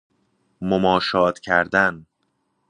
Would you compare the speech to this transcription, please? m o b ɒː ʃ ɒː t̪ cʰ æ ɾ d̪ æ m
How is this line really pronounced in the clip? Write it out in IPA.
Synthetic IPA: m o m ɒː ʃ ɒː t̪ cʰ æ ɾ d̪ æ n